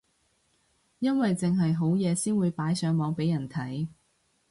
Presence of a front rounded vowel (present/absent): present